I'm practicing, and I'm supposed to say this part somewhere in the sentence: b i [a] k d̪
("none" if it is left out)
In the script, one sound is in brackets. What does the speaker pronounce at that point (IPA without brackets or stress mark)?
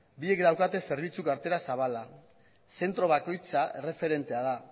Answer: e